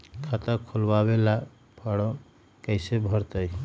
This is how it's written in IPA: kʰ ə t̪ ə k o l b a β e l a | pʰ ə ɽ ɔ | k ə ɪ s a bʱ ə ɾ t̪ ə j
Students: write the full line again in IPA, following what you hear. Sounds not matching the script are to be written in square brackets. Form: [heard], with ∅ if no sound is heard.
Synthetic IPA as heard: kʰ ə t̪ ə [kʰ] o l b a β e l a | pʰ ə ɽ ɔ | k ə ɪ s [e] bʱ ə ɾ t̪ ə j